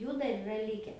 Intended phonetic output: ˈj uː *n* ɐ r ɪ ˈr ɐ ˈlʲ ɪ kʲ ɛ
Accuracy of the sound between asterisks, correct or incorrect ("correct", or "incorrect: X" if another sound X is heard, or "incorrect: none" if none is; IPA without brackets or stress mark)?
incorrect: d